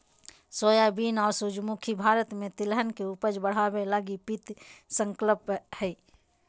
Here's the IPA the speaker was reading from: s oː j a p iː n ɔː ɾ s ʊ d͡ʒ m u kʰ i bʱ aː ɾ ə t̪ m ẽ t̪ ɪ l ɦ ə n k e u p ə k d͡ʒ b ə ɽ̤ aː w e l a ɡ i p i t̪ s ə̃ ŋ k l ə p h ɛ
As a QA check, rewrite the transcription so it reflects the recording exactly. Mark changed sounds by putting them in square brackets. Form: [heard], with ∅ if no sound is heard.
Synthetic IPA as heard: s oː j a [b] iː n ɔː ɾ s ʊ d͡ʒ m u kʰ i bʱ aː ɾ ə t̪ m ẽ t̪ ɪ l ɦ ə n k e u p ə [∅] d͡ʒ b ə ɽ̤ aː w e l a ɡ i p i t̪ s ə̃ ŋ k l ə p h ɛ